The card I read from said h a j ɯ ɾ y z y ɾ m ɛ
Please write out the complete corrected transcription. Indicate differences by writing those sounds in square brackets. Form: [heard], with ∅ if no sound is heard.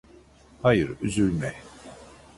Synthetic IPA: h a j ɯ ɾ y z y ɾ m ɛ

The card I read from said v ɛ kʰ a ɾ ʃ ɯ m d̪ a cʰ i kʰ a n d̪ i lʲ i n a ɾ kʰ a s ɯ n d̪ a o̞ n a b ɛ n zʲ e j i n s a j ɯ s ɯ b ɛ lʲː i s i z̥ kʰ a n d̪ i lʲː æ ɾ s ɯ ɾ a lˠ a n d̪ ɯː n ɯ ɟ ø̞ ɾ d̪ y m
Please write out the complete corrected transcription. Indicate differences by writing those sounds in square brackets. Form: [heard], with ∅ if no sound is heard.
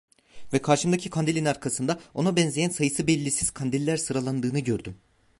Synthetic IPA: v ɛ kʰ a ɾ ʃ ɯ m d̪ a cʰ i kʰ a n d̪ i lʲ i n a ɾ kʰ a s ɯ n d̪ a o̞ n a b ɛ n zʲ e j [æ] n s a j ɯ s ɯ b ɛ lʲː i s i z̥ kʰ a n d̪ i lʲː æ ɾ s ɯ ɾ a lˠ a n d̪ ɯː n ɯ ɟ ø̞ ɾ d̪ y m

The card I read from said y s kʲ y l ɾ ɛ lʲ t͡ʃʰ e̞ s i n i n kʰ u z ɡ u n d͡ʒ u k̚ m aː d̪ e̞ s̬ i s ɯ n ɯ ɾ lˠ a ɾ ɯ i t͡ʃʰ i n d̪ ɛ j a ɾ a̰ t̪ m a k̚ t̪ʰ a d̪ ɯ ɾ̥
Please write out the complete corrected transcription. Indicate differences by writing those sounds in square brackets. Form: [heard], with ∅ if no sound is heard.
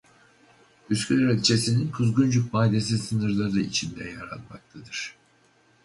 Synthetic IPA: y s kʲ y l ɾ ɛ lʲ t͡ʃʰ e̞ s i n i n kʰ u z ɡ u n d͡ʒ u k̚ m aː d̪ e̞ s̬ i s ɯ n ɯ ɾ lˠ a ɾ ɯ i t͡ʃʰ i n d̪ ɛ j a ɾ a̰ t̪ m a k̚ t̪ʰ a d̪ ɯ ɾ̥

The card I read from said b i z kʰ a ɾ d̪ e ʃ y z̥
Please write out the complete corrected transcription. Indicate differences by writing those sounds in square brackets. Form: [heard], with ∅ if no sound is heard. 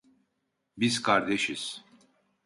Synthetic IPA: b i z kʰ a ɾ d̪ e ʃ [i] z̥

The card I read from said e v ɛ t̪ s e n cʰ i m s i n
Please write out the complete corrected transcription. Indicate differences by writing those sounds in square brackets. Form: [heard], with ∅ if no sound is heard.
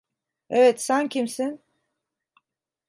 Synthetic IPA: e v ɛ t̪ s [æ] n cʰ i m s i n

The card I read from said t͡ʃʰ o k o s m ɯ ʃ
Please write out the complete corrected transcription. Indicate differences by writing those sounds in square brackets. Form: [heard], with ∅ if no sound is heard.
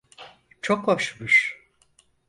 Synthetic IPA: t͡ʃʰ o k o [ʃ] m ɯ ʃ

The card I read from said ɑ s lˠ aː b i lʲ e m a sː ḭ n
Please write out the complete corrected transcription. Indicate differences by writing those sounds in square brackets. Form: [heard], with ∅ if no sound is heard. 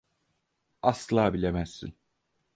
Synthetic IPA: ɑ s lˠ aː b i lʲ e m [æ] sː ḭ n

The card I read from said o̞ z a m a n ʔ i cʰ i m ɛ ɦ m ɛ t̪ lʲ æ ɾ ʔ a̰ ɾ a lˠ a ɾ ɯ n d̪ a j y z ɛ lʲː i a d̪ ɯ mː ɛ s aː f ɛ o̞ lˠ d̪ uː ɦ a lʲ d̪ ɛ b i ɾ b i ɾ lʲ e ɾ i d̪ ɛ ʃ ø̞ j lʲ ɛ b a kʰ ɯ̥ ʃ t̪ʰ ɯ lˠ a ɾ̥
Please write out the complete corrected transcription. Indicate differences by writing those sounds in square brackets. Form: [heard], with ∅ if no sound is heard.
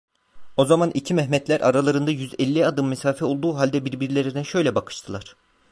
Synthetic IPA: o̞ z a m a n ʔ i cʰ i m ɛ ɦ m ɛ t̪ lʲ æ ɾ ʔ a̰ ɾ a lˠ a ɾ ɯ n d̪ a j y z ɛ lʲː i a d̪ ɯ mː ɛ s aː f ɛ o̞ lˠ d̪ uː ɦ a lʲ d̪ ɛ b i ɾ b i ɾ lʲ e ɾ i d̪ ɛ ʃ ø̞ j lʲ ɛ b a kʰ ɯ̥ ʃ t̪ʰ ɯ lˠ a ɾ̥

